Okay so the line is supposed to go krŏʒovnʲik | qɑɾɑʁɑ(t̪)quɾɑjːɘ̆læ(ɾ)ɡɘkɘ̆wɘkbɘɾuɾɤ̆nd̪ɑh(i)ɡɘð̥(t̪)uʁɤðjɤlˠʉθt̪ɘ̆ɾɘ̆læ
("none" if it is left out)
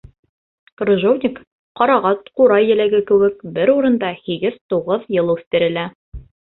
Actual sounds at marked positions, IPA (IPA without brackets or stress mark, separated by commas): t̪, none, i, t̪